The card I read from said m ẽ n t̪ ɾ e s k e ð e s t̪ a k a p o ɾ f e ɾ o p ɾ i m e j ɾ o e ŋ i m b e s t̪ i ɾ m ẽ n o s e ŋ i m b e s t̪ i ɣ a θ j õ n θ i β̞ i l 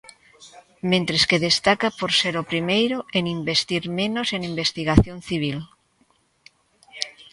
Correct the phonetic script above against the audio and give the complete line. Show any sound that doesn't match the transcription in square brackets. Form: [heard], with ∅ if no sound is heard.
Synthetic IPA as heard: m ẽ n t̪ ɾ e s k e ð e s t̪ a k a p o ɾ [s] e ɾ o p ɾ i m e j ɾ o e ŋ i m b e s t̪ i ɾ m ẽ n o s e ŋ i m b e s t̪ i ɣ a θ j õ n θ i β̞ i l